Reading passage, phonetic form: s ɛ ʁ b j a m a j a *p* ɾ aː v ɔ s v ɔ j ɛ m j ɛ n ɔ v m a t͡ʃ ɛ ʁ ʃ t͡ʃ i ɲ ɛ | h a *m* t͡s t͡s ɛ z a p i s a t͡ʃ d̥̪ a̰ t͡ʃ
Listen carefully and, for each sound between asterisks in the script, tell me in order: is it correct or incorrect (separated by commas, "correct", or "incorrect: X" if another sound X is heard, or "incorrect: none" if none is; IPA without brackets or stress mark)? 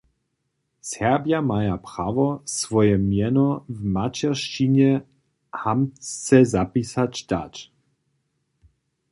correct, correct